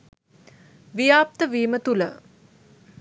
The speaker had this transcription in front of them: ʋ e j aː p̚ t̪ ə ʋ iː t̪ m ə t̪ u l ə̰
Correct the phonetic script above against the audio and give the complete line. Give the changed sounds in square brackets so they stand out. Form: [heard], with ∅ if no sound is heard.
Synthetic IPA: ʋ [i] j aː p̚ t̪ ə ʋ iː [∅] m ə t̪ u l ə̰